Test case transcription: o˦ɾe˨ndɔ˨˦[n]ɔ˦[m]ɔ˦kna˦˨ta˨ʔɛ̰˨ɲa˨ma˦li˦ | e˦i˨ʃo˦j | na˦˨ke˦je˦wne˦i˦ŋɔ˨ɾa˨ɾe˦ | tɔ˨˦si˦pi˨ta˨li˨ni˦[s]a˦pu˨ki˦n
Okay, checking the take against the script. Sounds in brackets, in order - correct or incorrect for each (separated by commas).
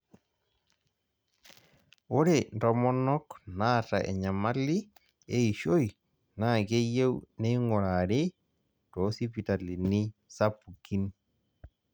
incorrect, incorrect, correct